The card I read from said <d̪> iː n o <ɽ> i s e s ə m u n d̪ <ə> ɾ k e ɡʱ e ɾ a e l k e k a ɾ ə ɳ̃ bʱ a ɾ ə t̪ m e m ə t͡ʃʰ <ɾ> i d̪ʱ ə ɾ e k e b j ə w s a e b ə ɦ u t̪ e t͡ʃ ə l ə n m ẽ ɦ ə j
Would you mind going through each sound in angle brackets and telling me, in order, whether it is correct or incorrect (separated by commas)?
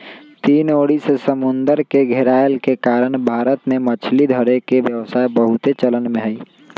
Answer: incorrect, correct, correct, incorrect